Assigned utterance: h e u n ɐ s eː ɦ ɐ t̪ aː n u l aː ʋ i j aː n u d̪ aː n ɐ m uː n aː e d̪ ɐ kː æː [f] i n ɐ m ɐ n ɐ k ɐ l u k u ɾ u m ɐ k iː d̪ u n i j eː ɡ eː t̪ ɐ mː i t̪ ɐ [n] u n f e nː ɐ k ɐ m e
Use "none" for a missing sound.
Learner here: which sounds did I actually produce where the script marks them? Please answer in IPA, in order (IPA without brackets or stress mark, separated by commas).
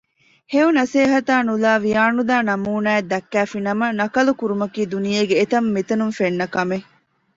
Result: f, n